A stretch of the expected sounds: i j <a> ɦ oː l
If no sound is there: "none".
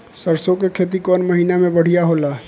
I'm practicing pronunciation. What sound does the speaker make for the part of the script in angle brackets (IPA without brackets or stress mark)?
a